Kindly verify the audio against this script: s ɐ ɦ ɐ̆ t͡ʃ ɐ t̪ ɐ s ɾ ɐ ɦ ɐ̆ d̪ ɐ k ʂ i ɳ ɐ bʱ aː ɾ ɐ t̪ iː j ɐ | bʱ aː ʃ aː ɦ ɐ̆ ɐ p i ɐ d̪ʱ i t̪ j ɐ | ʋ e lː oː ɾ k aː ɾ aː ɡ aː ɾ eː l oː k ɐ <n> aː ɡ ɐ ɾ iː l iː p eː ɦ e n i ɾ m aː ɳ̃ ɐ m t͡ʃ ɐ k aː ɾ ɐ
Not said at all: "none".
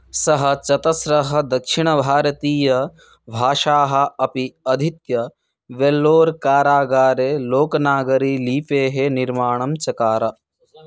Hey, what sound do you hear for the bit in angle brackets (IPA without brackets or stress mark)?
n